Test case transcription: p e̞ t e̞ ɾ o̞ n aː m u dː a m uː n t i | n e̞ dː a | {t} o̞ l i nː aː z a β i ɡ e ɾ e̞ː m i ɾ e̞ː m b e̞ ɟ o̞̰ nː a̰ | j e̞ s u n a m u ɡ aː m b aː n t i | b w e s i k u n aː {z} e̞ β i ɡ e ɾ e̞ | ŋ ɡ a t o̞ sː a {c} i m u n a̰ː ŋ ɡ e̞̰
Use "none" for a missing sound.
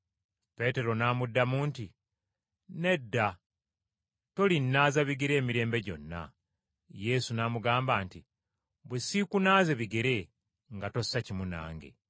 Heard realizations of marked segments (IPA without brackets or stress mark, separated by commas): t, z, c